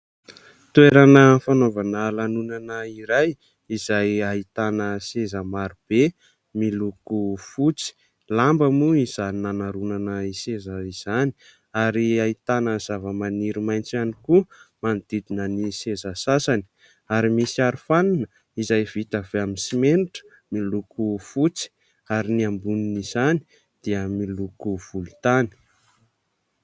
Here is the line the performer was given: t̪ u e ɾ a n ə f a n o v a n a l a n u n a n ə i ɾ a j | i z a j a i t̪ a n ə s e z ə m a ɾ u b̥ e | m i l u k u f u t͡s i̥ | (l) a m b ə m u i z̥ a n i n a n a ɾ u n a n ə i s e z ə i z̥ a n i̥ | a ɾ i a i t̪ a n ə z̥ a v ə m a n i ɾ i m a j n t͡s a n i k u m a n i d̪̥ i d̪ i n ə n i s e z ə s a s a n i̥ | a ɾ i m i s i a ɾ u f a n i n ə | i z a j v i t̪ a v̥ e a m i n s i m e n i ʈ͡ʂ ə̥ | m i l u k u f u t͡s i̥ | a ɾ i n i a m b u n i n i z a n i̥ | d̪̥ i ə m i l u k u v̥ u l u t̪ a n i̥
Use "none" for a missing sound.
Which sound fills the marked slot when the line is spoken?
l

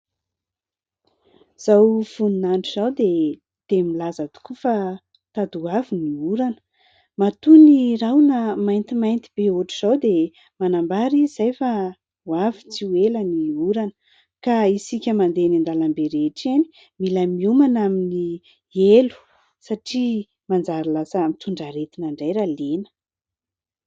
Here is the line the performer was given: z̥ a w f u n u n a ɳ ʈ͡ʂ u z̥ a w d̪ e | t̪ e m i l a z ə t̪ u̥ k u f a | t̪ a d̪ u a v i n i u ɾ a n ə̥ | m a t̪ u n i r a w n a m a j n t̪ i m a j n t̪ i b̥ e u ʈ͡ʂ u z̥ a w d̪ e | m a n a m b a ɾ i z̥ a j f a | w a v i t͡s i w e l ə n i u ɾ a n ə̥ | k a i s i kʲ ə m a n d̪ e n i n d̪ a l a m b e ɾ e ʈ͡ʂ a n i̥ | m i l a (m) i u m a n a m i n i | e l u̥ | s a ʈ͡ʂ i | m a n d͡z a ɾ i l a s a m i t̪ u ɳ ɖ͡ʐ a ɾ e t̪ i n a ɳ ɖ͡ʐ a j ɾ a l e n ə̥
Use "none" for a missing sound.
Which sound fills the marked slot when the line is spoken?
m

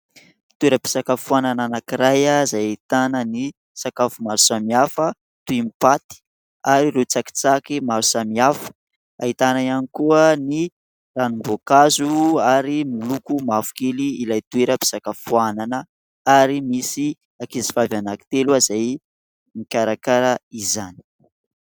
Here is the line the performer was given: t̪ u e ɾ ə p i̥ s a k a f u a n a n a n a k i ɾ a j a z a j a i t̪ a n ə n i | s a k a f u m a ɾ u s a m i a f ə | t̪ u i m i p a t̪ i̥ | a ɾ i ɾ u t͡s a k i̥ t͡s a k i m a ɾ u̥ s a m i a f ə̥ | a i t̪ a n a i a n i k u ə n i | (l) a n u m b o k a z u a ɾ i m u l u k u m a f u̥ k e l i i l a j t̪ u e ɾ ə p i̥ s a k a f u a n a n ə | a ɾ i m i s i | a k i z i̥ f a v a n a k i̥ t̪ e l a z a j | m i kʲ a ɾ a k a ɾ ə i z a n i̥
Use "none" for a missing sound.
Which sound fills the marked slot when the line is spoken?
r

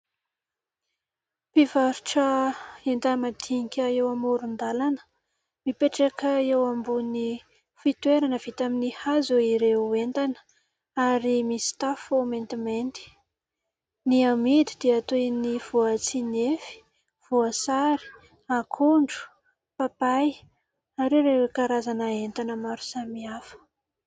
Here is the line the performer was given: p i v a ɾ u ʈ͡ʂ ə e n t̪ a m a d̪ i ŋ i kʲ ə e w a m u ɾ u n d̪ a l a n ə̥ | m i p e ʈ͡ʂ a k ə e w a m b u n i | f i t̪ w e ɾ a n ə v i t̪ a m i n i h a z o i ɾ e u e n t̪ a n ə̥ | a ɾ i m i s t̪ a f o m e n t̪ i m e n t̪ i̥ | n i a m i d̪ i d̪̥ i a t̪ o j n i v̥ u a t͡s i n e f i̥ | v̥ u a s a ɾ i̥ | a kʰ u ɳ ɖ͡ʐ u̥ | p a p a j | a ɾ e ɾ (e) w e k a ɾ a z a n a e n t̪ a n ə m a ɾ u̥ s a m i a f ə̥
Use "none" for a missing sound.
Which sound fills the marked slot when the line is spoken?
e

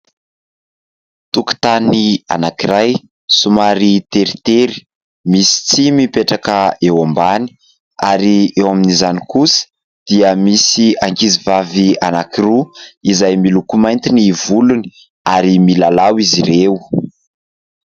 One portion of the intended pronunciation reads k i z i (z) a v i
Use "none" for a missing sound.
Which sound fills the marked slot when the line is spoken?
v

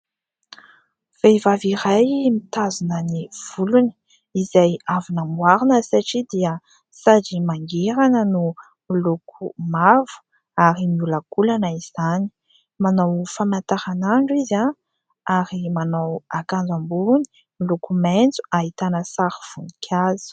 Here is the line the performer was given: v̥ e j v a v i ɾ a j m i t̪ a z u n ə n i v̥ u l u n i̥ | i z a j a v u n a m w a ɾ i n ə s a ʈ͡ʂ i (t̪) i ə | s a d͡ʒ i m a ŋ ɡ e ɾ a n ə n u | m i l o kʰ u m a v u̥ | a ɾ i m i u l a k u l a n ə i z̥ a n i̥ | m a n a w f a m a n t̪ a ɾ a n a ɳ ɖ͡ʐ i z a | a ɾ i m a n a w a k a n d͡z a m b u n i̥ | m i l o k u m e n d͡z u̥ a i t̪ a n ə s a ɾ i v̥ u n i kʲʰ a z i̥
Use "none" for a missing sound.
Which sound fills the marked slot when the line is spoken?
d̪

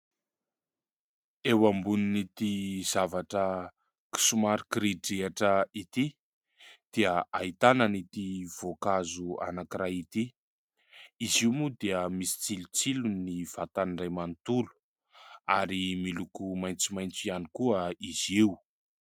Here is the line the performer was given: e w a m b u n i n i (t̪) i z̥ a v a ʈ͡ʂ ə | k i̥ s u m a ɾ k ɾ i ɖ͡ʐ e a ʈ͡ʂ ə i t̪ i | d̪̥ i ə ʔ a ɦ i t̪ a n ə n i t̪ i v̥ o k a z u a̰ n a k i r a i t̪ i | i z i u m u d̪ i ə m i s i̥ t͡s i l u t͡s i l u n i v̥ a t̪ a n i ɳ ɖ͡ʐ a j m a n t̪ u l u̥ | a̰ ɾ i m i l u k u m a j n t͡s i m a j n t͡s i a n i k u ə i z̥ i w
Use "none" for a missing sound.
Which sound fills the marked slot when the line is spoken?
t̪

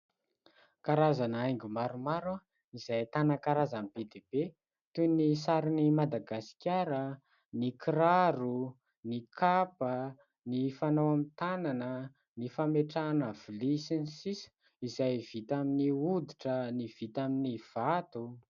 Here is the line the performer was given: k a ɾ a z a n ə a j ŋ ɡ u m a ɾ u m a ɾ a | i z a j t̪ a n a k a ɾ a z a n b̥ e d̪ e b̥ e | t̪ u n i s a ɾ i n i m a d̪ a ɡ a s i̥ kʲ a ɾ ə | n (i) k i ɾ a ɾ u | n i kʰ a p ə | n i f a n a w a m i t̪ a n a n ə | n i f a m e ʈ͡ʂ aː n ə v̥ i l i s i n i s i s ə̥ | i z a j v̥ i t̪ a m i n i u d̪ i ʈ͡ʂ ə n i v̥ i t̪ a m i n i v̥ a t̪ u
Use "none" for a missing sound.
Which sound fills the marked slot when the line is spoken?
i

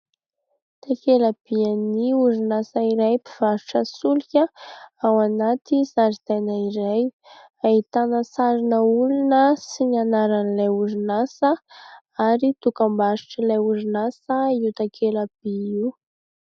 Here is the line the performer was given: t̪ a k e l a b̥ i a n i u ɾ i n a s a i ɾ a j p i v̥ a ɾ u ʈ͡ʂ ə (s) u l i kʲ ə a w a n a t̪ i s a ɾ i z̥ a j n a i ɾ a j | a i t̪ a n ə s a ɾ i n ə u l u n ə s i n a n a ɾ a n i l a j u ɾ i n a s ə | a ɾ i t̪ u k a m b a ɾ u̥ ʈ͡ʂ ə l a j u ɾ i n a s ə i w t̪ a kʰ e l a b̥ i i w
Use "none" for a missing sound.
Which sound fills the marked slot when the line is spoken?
s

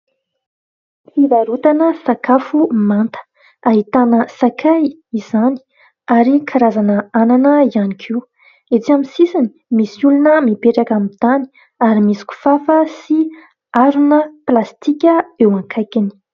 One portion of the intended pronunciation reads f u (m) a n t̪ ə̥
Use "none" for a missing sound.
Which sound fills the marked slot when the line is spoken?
m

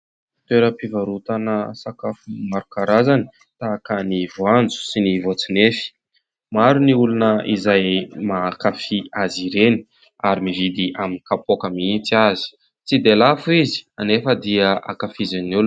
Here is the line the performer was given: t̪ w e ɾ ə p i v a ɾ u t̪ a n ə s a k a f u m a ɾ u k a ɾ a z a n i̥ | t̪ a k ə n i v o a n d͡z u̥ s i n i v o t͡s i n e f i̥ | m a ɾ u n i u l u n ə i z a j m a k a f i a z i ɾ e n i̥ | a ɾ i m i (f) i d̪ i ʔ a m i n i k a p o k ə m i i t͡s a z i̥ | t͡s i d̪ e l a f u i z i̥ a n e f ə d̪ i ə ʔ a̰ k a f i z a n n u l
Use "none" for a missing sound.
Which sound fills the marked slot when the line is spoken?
v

